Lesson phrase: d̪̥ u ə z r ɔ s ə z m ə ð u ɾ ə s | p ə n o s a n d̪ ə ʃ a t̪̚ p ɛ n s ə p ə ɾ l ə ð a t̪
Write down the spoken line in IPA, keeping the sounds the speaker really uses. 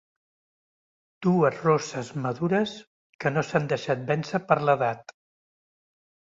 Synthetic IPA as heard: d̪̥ u ə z r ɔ s ə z m ə ð u ɾ ə s | k ə n o s a n d̪ ə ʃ a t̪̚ b ɛ n s ə p ə ɾ l ə ð a t̪